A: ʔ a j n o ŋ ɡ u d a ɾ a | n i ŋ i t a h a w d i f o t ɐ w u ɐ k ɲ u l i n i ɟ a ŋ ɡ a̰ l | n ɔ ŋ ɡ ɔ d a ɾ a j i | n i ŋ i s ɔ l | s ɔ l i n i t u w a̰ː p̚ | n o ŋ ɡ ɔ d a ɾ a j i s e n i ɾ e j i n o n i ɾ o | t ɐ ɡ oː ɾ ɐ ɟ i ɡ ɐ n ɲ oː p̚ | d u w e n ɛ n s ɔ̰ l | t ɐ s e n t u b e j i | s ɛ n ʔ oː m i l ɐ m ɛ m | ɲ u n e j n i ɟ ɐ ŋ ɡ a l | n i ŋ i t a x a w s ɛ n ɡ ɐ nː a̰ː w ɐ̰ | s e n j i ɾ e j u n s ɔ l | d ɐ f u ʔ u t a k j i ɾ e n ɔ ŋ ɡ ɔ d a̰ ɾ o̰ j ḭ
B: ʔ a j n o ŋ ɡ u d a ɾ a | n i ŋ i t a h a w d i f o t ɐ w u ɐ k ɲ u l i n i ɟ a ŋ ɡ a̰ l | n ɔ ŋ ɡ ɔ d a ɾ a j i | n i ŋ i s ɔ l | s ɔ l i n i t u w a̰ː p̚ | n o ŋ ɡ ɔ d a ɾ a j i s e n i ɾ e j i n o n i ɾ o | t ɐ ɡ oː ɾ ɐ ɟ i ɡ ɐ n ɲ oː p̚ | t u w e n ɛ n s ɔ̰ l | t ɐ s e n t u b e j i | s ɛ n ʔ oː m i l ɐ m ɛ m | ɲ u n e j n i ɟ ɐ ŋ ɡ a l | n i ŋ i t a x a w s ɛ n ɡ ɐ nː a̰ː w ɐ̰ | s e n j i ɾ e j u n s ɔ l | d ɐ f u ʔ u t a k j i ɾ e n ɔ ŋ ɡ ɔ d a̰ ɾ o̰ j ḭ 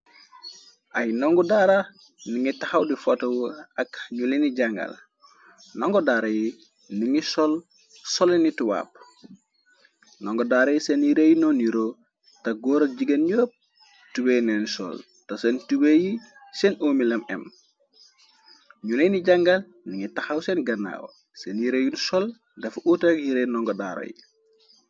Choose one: B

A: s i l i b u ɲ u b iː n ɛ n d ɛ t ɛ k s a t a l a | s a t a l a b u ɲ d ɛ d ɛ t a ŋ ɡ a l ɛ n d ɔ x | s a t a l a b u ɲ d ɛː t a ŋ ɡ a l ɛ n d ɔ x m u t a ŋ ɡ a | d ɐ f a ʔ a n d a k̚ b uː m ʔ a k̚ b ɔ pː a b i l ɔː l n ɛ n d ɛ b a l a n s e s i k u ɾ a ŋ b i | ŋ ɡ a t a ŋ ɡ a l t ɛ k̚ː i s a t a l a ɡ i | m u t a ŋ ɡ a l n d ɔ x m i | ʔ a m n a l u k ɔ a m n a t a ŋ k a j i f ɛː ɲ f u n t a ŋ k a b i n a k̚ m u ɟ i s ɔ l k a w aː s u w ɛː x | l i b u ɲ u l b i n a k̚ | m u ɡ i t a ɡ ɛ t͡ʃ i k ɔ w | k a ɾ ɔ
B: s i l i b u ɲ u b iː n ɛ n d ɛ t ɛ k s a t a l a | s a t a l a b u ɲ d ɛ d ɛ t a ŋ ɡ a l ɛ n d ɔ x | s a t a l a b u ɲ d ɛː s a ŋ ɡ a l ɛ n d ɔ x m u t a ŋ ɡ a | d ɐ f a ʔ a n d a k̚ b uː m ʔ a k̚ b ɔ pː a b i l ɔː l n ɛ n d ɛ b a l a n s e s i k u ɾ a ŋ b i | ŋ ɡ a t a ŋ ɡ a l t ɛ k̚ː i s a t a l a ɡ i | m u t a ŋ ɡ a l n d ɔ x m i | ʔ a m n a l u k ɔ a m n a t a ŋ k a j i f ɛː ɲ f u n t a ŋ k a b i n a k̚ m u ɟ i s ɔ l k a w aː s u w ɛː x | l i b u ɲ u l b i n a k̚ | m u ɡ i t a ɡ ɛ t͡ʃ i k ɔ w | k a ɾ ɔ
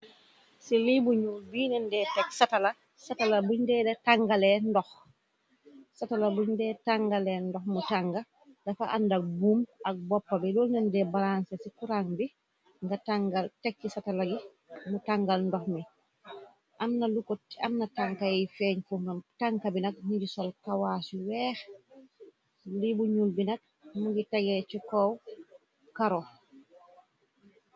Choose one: A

